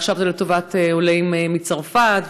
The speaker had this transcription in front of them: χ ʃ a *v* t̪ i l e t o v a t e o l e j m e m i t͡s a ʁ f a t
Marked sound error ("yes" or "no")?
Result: no